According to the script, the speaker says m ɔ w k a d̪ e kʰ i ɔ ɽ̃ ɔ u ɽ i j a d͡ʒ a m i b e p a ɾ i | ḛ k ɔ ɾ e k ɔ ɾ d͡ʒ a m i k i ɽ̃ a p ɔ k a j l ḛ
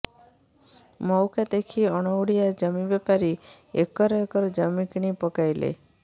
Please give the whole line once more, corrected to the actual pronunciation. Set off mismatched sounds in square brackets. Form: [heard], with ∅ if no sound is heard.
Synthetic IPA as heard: m ɔ w k a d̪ e kʰ i ɔ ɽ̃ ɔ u ɽ i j a d͡ʒ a m i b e p a ɾ i | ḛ k ɔ ɾ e k ɔ ɾ d͡ʒ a m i k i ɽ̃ [i] p ɔ k a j l ḛ

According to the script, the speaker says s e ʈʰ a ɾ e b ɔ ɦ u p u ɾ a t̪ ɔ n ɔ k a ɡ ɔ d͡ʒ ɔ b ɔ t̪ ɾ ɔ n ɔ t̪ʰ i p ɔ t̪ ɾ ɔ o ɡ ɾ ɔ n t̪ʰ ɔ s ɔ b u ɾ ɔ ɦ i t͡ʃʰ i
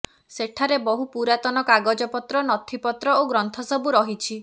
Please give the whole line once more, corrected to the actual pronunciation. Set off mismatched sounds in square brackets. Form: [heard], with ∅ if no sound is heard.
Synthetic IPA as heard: s e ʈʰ a ɾ e b ɔ ɦ u p u ɾ a t̪ ɔ n ɔ k a ɡ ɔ d͡ʒ ɔ [p] ɔ t̪ ɾ ɔ n ɔ t̪ʰ i p ɔ t̪ ɾ ɔ o ɡ ɾ ɔ n t̪ʰ ɔ s ɔ b u ɾ ɔ ɦ i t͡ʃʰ i

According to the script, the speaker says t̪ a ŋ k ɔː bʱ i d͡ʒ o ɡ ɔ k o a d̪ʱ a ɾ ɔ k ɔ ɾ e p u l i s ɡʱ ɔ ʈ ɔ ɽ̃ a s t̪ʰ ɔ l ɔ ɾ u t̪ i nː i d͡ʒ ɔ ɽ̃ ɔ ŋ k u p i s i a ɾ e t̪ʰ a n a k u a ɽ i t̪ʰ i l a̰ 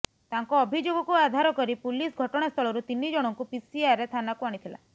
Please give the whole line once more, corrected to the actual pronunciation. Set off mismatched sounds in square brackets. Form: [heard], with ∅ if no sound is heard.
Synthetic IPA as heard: t̪ a ŋ k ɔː bʱ i d͡ʒ o ɡ ɔ k [u] a d̪ʱ a ɾ ɔ k ɔ ɾ [i] p u l i s ɡʱ ɔ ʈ ɔ ɽ̃ a s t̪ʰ ɔ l ɔ ɾ u t̪ i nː i d͡ʒ ɔ ɽ̃ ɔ ŋ k u p i s i a ɾ e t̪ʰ a n a k u a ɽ i t̪ʰ i l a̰

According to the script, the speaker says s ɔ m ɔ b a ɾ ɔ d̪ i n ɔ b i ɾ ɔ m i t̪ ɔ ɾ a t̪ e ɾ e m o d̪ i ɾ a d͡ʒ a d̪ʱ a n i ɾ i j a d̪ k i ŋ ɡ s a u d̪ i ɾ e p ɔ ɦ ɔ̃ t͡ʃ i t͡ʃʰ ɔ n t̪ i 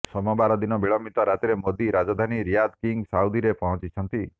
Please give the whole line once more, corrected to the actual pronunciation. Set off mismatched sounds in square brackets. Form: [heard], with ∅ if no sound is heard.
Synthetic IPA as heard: s ɔ m ɔ b a ɾ ɔ d̪ i n ɔ b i [ɭ] ɔ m i t̪ ɔ ɾ a t̪ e ɾ e m o d̪ i ɾ a d͡ʒ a d̪ʱ a n i ɾ i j a d̪ k i ŋ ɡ s a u d̪ i ɾ e p ɔ ɦ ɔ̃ t͡ʃ i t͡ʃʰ ɔ n t̪ i

